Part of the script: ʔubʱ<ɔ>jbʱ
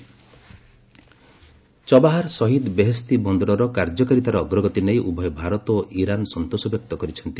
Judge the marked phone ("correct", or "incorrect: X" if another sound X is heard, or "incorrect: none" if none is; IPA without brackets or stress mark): correct